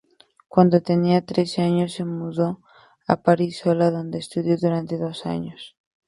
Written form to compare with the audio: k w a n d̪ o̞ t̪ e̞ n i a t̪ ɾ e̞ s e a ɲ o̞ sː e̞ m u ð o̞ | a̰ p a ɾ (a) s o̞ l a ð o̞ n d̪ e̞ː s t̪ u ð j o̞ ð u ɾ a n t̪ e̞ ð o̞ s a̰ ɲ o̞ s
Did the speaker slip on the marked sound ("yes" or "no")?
yes